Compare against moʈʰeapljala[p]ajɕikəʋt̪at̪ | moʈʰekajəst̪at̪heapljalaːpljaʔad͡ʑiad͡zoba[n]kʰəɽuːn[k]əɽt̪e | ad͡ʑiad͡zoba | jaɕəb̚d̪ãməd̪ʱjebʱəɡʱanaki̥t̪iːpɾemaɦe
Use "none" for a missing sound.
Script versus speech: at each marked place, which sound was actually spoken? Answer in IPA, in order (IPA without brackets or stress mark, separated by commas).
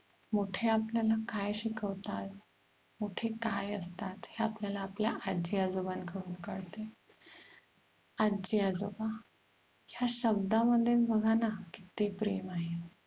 k, n, k